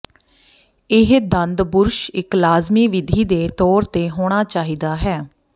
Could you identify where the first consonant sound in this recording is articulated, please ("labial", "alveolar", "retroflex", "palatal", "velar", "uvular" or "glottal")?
glottal